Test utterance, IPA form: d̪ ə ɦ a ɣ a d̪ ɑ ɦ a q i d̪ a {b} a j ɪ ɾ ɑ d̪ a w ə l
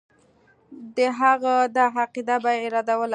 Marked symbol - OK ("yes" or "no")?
yes